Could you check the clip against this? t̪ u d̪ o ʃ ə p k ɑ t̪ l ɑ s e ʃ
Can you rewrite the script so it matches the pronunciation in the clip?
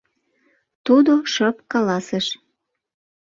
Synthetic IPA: t̪ u d̪ o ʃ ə p k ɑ l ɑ s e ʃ